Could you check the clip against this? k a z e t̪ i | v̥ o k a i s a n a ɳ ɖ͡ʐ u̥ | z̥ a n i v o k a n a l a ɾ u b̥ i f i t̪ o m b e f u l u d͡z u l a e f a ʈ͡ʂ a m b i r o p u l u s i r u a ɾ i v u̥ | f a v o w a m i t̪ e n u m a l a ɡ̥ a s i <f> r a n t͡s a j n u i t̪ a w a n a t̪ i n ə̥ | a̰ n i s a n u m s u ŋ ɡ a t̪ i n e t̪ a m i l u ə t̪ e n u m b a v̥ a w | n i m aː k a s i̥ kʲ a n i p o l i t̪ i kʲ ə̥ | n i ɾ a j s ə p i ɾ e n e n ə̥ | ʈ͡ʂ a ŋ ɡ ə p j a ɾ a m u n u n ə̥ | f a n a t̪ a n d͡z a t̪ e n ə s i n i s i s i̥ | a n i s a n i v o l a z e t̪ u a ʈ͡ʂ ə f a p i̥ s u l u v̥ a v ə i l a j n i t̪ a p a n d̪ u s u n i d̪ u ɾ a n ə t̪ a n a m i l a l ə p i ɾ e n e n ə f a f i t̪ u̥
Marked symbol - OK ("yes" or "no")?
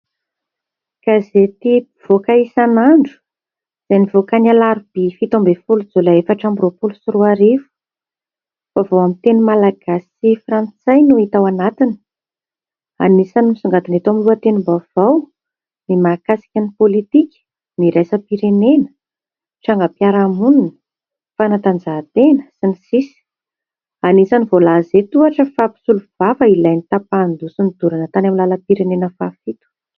yes